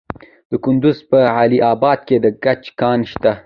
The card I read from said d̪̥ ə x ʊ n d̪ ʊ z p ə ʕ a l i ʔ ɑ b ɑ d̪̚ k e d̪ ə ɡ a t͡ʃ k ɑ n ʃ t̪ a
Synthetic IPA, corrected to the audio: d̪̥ ə k ʊ n d̪ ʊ z p ə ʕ a l i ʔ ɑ b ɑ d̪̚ k e d̪ ə ɡ a t͡ʃ k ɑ n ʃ t̪ a